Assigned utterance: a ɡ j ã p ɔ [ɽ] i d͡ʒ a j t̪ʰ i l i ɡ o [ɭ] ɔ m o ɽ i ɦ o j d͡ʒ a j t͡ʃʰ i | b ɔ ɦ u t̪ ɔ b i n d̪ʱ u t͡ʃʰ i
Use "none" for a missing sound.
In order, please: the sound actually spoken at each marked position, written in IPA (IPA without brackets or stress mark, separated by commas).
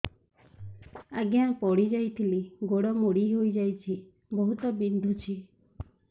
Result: ɽ, ɽ